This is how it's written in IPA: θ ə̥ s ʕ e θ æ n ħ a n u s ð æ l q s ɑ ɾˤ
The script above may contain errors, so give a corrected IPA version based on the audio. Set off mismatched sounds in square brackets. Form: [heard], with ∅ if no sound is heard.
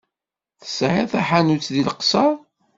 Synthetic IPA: θ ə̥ s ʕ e θ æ [∅] ħ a n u [t͡s] ð [i] l q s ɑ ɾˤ